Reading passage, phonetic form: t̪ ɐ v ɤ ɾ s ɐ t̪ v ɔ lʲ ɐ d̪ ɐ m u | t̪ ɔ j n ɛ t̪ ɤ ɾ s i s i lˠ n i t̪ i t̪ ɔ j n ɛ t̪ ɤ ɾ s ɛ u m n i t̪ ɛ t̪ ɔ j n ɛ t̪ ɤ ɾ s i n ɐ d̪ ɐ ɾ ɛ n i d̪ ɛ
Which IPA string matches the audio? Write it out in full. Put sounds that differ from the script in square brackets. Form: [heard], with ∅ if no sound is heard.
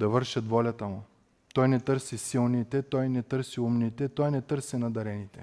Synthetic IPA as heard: [d̪] ɐ v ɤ ɾ [ʃ] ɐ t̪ v ɔ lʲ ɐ [t̪] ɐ m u | t̪ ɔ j n ɛ t̪ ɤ ɾ s i s i lˠ n i t̪ [ɛ] t̪ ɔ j n ɛ t̪ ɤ ɾ s [i] u m n i t̪ ɛ t̪ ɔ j n ɛ t̪ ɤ ɾ s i n ɐ d̪ ɐ ɾ ɛ n i [t̪] ɛ